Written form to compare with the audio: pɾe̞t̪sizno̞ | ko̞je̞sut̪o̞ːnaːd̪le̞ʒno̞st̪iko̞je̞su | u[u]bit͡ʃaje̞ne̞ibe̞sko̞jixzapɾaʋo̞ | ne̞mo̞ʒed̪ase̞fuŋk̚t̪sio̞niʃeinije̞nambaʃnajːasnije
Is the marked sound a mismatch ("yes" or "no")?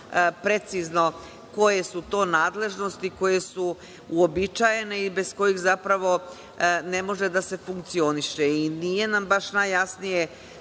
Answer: yes